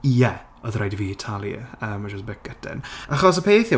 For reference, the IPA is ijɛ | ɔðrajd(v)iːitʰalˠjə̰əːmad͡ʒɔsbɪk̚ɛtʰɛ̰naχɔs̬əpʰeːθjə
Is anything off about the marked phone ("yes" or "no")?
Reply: no